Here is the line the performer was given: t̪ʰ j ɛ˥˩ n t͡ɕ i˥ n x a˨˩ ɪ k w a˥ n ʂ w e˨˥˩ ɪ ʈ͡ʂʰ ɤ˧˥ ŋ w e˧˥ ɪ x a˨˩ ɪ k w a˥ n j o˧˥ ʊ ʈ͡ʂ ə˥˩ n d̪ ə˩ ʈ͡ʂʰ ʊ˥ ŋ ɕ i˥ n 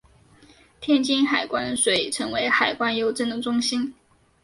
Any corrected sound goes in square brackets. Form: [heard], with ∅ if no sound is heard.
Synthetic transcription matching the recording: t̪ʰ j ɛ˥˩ n t͡ɕ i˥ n x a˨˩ ɪ k w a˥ n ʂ w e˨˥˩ ɪ ʈ͡ʂʰ ɤ˧˥ ŋ w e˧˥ ɪ x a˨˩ ɪ k w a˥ n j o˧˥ ʊ ʈ͡ʂ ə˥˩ n d̪ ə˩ [ʈ͡ʂ] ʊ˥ ŋ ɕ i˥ n